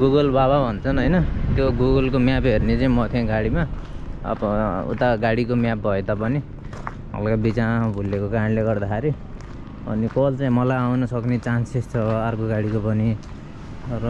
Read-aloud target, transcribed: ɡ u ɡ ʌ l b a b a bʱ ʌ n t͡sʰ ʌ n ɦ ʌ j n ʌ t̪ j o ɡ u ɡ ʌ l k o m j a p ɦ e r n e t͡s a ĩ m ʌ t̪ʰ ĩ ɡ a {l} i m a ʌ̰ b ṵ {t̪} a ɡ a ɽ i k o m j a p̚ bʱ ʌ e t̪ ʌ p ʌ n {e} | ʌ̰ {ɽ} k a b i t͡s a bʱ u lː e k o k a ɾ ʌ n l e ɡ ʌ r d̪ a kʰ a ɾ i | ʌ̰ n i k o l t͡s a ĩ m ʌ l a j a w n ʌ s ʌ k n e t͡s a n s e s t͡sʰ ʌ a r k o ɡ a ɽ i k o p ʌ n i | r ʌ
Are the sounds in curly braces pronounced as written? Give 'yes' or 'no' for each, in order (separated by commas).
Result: no, yes, no, no